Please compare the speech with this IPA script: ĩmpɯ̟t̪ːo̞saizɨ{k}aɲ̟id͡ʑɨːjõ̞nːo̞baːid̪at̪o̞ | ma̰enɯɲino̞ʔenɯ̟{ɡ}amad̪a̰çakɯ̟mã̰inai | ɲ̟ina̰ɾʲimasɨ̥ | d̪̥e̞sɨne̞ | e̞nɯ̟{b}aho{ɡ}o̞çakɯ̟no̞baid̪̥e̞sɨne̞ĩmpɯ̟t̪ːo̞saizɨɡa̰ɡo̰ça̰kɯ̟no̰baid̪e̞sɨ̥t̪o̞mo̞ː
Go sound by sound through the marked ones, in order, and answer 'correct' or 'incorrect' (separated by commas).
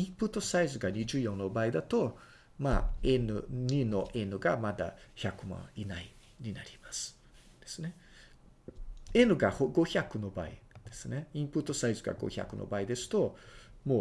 incorrect, correct, incorrect, correct